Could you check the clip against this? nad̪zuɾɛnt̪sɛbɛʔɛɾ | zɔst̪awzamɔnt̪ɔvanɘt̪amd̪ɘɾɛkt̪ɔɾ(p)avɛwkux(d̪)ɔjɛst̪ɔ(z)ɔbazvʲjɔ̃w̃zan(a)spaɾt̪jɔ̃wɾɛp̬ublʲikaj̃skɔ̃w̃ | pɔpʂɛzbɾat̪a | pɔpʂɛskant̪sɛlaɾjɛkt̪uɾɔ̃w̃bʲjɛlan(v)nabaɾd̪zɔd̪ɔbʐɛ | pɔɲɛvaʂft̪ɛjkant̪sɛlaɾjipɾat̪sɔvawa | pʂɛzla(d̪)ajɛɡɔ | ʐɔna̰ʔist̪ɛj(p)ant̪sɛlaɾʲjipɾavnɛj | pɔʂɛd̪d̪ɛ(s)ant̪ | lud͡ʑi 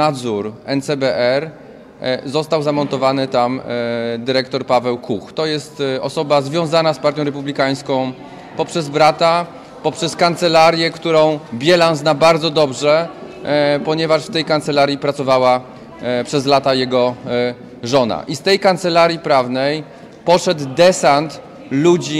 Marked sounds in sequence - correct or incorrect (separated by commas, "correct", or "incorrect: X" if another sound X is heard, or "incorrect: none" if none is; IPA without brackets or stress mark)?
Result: correct, incorrect: t̪, incorrect: s, correct, incorrect: z, incorrect: t̪, incorrect: k, correct